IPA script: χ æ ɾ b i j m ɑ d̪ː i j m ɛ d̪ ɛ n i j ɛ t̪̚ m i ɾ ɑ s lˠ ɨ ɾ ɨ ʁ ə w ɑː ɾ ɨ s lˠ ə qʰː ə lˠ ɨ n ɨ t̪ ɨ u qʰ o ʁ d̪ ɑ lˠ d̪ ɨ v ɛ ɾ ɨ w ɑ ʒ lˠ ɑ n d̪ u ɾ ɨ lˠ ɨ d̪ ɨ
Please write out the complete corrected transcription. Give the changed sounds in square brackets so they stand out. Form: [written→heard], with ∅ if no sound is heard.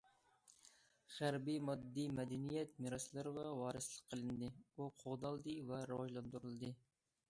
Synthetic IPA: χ æ ɾ b i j m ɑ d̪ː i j m ɛ d̪ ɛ n i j ɛ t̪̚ m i ɾ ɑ s lˠ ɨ ɾ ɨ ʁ [ə→ɑ] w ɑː ɾ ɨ s lˠ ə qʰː ə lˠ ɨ n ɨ [t̪→d̪] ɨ u qʰ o ʁ d̪ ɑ lˠ d̪ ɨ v ɛ ɾ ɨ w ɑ ʒ lˠ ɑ n d̪ u ɾ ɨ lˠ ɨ d̪ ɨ